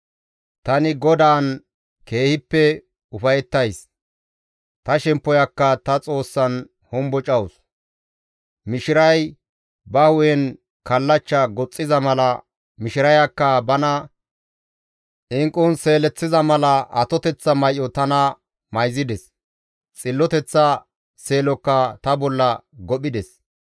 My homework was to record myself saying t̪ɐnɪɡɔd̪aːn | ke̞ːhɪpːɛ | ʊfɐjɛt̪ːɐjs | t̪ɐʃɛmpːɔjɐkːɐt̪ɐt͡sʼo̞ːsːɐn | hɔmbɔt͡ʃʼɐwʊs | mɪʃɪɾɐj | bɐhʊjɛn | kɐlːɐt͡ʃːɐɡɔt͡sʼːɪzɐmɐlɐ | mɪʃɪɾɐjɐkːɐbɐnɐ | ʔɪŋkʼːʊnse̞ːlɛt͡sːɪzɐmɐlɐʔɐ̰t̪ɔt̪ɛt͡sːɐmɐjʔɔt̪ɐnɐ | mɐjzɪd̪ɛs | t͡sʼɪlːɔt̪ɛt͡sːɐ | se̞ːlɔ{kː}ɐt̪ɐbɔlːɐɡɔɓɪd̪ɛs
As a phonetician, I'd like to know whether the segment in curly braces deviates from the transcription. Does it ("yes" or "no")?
no